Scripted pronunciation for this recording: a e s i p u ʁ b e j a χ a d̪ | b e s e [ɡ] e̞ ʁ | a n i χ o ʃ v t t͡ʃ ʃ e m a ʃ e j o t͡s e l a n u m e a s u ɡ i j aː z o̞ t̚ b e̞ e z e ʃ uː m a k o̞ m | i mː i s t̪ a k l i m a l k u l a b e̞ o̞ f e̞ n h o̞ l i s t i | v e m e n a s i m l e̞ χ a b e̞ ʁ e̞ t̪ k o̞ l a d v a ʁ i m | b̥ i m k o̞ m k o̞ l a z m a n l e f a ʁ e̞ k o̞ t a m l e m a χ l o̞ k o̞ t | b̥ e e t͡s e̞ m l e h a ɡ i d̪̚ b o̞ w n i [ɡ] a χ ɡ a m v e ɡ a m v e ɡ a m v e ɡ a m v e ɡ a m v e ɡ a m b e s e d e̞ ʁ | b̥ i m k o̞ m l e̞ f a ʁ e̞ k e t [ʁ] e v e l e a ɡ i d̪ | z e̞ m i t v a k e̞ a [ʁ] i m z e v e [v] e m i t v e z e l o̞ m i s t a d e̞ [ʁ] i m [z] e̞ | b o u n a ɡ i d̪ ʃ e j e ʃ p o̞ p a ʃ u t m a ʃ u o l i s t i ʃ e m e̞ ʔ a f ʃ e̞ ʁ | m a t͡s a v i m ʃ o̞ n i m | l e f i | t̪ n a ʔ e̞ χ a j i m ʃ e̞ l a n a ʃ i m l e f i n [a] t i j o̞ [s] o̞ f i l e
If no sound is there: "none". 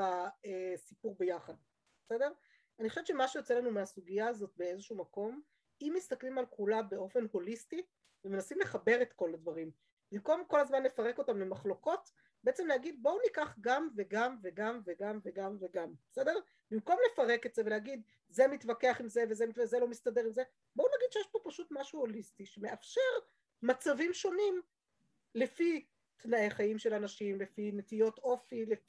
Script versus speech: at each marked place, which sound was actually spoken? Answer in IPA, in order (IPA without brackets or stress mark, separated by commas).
d, k, z, χ, z, ʁ, z, e, t